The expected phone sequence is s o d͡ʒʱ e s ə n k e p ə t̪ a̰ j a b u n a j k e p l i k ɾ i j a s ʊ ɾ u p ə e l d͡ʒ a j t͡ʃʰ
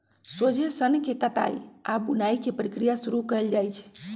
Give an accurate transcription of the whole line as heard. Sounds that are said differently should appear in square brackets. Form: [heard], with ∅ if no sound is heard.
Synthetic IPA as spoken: s o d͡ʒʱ e s ə n k e [k] ə t̪ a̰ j a b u n a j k e p [ɾ] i k ɾ i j a s [u] ɾ u [k] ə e l d͡ʒ a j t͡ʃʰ